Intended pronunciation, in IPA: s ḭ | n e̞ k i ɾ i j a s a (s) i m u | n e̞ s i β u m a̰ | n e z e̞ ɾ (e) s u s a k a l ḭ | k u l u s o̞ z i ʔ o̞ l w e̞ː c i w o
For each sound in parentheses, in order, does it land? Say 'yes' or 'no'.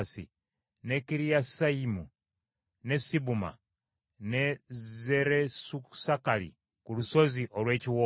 no, yes

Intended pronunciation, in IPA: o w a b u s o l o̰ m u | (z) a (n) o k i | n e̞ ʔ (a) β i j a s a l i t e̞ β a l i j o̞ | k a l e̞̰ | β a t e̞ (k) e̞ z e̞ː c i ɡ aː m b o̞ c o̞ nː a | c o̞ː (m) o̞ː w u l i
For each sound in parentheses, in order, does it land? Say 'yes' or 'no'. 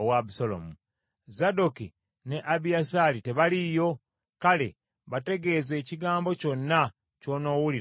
yes, no, yes, no, no

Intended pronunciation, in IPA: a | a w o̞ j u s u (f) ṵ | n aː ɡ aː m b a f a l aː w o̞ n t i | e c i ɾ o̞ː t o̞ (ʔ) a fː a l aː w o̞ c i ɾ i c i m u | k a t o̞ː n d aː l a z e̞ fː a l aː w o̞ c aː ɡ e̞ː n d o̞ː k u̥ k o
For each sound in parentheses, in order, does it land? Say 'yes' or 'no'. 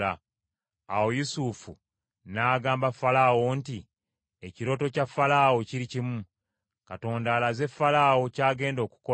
yes, no

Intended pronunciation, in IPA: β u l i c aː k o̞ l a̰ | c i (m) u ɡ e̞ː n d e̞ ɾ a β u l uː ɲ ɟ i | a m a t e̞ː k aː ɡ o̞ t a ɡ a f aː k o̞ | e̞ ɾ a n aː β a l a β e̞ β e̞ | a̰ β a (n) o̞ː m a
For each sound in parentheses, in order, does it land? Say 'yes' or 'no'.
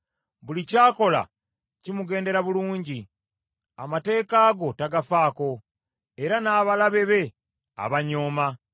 yes, no

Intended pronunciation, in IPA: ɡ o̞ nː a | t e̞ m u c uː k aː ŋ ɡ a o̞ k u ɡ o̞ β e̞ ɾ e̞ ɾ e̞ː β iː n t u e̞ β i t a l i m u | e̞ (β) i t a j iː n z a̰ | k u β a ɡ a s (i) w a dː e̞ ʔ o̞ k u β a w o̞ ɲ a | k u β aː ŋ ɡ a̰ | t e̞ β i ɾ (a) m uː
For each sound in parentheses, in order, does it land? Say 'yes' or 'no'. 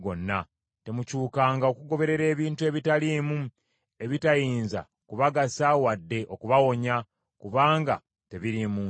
yes, no, no

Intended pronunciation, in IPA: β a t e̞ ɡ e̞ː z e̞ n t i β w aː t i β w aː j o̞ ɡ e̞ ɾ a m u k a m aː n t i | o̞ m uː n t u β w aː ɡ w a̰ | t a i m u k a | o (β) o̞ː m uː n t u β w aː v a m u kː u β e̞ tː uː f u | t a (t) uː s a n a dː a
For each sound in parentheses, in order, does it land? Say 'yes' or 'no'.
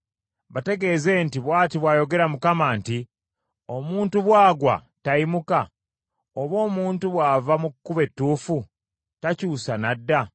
yes, no

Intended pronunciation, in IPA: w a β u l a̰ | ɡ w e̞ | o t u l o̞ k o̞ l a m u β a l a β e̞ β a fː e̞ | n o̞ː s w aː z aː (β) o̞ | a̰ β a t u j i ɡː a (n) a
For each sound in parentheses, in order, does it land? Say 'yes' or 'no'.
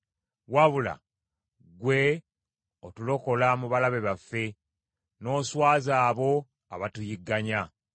yes, no

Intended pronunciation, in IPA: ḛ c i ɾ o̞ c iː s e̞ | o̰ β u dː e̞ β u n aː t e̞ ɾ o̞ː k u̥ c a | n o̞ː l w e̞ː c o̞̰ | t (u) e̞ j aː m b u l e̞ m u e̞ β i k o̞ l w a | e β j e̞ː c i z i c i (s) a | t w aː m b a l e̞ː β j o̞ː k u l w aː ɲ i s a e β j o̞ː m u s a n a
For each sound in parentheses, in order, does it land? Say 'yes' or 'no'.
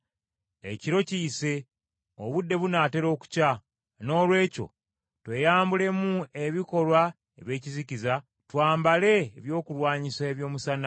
no, no

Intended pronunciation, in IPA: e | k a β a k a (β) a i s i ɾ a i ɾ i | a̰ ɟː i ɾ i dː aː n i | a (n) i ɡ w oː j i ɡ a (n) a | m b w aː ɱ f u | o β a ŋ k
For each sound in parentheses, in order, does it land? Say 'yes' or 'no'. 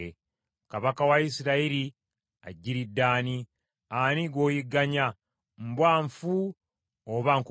no, yes, no

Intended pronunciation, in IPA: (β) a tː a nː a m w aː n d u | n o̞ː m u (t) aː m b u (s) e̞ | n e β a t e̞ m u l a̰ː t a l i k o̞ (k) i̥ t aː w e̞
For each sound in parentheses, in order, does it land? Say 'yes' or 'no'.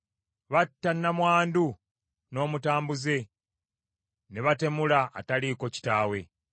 yes, yes, no, no

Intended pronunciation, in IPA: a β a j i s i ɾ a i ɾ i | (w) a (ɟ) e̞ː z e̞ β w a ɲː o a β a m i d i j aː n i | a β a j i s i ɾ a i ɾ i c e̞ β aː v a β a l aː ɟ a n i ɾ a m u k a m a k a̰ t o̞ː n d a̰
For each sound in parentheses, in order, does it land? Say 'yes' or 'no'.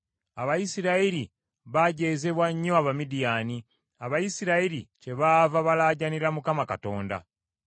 no, yes

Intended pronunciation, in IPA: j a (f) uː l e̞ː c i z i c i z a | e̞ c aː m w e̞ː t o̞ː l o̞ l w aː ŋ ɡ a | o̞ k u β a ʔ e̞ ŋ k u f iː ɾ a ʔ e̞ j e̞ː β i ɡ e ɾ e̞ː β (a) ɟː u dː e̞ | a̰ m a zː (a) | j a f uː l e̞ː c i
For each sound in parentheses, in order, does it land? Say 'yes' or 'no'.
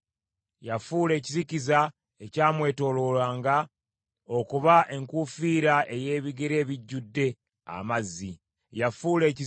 yes, no, no

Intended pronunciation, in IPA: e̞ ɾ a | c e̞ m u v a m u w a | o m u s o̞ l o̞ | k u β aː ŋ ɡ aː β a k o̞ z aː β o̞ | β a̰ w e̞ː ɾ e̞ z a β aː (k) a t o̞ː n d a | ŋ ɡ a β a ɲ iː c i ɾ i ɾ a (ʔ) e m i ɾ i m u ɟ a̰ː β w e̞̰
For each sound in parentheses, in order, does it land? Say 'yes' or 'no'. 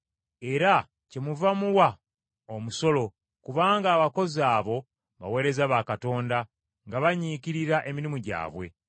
yes, yes

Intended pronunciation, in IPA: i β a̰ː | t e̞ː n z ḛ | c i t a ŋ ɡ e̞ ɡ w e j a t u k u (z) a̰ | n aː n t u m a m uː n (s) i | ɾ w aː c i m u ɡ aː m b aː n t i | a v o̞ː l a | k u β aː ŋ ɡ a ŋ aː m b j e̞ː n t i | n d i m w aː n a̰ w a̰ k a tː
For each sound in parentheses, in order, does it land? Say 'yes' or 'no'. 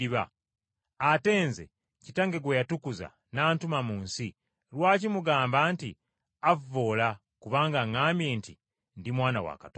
yes, yes

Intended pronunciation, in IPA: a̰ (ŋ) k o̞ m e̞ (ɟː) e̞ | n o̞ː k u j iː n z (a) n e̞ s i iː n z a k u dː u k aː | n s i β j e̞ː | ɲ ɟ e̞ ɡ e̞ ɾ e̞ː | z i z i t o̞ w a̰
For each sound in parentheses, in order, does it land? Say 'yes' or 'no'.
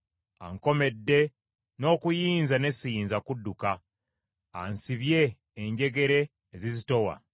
yes, no, yes

